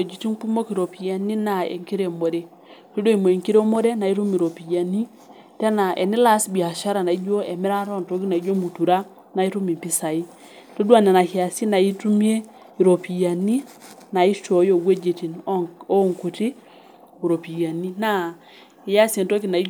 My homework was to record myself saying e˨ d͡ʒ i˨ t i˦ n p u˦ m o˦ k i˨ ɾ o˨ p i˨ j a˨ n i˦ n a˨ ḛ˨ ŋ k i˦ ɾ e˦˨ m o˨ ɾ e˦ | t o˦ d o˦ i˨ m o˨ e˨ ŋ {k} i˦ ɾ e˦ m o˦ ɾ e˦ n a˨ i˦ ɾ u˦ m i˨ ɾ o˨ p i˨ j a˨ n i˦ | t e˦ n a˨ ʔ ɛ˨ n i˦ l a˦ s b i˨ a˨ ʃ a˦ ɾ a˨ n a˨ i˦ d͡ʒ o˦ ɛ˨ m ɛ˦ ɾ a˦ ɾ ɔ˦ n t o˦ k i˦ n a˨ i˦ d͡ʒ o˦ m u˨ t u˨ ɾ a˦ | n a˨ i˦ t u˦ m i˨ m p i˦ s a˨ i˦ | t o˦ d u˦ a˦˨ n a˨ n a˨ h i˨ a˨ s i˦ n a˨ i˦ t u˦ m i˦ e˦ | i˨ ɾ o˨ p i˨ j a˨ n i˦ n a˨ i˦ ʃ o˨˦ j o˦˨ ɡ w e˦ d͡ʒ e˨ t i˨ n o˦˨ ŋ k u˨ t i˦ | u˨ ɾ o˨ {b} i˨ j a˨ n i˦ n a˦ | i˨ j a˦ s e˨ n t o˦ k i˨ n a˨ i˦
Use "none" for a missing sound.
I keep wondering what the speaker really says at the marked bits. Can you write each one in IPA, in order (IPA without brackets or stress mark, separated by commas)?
k, p